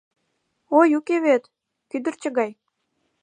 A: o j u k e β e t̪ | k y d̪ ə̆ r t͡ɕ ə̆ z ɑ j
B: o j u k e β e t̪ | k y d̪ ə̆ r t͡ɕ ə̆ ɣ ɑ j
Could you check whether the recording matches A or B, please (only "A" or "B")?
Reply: B